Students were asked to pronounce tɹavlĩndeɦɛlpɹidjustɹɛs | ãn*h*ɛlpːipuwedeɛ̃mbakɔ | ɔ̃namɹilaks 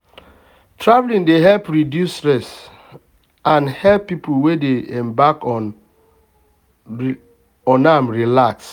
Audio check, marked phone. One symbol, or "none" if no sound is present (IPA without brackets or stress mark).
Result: h